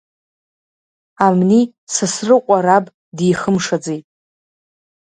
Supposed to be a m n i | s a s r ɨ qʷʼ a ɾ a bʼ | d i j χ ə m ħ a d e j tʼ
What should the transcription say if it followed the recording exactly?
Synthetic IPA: a m n i | s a s r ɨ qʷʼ a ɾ a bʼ | d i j χ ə m ʂ a d͡z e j tʼ